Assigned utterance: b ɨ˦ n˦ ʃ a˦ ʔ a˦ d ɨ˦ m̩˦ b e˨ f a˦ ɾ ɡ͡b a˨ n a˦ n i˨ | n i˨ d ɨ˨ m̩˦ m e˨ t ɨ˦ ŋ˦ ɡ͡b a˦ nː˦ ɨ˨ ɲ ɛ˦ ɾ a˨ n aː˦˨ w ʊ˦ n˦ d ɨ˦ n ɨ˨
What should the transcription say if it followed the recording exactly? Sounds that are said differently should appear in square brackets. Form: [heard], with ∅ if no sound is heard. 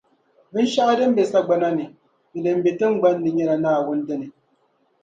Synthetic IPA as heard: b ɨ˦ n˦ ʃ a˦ ʔ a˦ d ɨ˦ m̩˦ b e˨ [s] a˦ [∅] ɡ͡b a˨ n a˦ n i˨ | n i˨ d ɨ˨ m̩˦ [b] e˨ t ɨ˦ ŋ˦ ɡ͡b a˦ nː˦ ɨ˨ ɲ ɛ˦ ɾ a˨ n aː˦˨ w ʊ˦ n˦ d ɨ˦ n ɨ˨